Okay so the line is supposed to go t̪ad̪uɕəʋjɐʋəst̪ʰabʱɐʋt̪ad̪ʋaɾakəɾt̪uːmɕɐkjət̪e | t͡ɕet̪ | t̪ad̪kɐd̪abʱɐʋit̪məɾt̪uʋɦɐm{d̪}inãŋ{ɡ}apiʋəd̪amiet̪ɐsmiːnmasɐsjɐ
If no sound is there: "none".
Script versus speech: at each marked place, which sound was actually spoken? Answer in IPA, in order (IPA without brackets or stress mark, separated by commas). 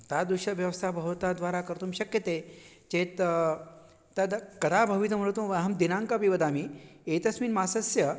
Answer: d̪, k